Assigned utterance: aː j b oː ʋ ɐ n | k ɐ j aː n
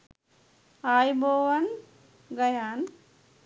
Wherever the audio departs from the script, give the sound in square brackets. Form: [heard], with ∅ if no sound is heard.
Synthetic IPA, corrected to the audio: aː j b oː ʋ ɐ n | [ɡ] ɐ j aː n